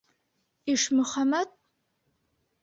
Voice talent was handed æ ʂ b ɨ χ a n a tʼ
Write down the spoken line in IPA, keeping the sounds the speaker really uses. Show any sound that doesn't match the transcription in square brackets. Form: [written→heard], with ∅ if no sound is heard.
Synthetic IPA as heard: [æ→i] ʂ [b→m] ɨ χ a [n→m] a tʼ